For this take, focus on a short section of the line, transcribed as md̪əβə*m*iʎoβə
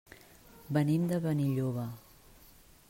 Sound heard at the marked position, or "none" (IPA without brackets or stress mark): n